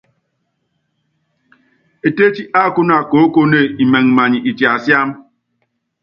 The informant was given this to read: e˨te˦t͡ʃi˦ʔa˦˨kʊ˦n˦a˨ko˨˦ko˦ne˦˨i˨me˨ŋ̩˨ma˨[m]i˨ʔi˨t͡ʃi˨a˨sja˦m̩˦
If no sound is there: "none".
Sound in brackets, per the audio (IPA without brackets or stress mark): ɲ